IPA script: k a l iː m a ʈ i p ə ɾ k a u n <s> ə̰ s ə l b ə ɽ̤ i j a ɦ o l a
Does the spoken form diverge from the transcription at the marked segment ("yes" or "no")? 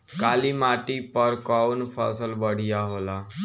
yes